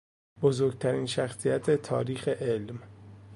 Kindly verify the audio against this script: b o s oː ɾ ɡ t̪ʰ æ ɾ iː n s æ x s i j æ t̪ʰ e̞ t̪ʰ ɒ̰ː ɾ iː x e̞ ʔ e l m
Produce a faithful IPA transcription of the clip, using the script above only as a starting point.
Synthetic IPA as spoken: b o z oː ɾ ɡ t̪ʰ æ ɾ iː n ʃ æ x s i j æ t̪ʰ e̞ t̪ʰ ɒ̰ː ɾ iː x e̞ ʔ e l m

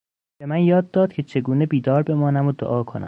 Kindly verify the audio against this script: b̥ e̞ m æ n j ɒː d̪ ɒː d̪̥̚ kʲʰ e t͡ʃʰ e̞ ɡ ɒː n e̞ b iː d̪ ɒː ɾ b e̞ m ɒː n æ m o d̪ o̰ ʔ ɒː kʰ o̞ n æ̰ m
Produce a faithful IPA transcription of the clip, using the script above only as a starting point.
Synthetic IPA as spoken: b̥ e̞ m æ n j ɒː d̪ː ɒː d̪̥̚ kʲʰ e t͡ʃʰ e̞ ɡ uː n e̞ b iː d̪ ɒː ɾ b e̞ m ɒː n æ m o d̪ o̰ ʔ ɒː kʰ o̞ n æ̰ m

